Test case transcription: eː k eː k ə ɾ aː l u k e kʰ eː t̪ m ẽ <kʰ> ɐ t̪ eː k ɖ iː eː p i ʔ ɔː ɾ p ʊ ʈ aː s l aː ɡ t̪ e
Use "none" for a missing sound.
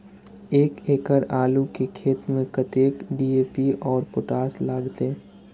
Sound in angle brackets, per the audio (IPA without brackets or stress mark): k